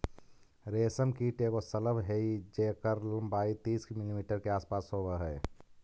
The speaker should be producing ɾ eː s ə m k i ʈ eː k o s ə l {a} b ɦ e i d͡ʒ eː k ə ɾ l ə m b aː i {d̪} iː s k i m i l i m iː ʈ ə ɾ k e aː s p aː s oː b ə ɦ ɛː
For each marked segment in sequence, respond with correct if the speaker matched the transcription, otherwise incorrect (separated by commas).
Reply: incorrect, incorrect